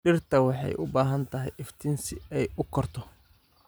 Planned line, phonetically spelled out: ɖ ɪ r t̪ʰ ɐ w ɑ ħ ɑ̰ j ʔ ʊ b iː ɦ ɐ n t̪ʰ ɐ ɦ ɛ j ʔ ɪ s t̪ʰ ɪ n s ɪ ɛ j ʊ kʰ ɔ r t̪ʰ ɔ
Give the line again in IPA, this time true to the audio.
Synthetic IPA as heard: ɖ ɪ r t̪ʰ ɐ w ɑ ħ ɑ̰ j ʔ ʊ b aː ɦ ɐ n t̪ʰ ɐ ɦ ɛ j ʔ ɪ f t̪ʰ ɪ n s ɪ ɛ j ʊ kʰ ɔ r t̪ʰ ɔ